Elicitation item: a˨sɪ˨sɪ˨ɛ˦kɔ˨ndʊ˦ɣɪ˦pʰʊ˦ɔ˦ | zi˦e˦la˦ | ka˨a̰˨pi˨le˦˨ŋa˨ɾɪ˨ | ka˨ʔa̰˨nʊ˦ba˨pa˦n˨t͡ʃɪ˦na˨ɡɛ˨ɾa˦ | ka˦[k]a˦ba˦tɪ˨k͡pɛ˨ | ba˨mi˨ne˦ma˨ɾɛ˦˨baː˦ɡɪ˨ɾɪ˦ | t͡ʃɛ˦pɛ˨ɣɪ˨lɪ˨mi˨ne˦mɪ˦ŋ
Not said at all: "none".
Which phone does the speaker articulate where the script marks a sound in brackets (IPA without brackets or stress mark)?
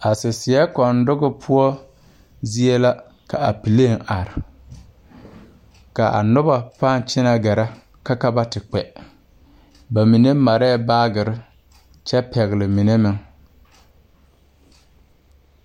k